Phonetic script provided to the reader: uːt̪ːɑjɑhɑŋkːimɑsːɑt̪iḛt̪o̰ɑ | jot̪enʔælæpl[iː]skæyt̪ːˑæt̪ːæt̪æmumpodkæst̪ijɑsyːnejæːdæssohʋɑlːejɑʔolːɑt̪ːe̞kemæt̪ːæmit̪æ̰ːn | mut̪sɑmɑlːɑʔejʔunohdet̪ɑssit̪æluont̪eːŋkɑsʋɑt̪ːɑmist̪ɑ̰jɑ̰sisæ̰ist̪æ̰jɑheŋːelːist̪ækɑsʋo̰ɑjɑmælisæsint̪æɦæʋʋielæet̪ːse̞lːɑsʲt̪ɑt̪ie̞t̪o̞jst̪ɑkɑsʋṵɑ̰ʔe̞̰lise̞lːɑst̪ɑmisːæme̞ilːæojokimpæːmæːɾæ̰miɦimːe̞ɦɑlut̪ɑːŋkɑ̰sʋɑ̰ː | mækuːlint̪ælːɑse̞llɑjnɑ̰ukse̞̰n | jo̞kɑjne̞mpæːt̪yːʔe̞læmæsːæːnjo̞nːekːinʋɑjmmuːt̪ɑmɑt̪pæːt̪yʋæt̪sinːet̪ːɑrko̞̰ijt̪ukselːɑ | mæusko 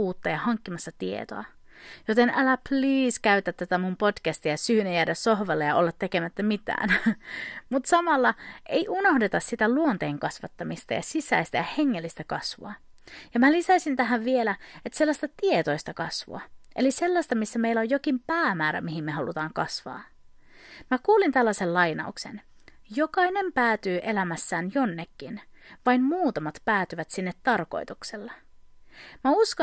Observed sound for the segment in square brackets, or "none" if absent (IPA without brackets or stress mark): iː